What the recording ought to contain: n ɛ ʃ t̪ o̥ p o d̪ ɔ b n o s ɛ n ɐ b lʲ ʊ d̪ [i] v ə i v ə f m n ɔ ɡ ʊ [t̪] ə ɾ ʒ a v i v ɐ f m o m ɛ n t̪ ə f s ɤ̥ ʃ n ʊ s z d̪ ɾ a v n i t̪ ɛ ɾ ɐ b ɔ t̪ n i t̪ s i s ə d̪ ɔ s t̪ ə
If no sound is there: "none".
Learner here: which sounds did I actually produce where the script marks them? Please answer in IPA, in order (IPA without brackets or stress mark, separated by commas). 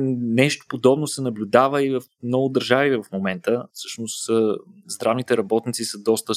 a, d̪